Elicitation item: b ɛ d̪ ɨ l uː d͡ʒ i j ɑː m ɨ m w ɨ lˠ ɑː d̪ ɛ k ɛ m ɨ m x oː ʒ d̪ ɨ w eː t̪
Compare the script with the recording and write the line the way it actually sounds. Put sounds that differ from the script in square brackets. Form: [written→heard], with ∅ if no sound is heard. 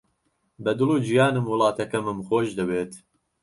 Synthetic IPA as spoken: b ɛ d̪ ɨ l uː d͡ʒ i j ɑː [m→n] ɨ m w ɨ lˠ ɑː [d̪→t̪] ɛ k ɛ m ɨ m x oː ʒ d̪ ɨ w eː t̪